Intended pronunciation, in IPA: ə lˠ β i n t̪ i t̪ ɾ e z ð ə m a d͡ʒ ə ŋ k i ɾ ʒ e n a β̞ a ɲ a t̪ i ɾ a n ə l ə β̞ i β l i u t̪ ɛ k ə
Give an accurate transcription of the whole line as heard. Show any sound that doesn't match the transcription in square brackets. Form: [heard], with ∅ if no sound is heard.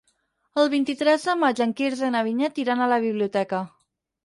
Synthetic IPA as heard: ə lˠ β i n t̪ i t̪ ɾ [ɛ] z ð ə m a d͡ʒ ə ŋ k i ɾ [z] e n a β̞ [i] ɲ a t̪ i ɾ a n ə l ə β̞ i β l i u t̪ ɛ k ə